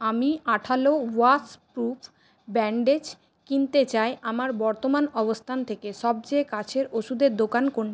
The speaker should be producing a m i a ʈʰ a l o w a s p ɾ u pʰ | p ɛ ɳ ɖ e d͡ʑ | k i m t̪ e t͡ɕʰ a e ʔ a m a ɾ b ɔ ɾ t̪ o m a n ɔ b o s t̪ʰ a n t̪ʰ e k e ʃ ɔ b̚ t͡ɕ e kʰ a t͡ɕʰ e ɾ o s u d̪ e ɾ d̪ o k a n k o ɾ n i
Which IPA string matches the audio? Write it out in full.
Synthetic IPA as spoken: a m i a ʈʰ a l o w a s p ɾ u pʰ | b ɛ ɳ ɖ e d͡ʑ | k i n t̪ e t͡ɕ a e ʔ a m a ɾ b ɔ ɾ t̪ o m a n ɔ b o s t̪ʰ a n t̪ʰ e k e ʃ ɔ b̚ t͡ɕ e k a t͡ɕʰ e ɾ o ʃ u d̪ e ɾ d̪ o k a n k o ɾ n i